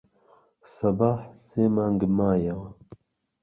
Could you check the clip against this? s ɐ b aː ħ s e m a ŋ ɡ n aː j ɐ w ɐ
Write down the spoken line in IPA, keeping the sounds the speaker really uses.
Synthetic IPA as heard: s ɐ b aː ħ s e m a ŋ ɡ m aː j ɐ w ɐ